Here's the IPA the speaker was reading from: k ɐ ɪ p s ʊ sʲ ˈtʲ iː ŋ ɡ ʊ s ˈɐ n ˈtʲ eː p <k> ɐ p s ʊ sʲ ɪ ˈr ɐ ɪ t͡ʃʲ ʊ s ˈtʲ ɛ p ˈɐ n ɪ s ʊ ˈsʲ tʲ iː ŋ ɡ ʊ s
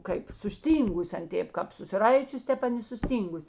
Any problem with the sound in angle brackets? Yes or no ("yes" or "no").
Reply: no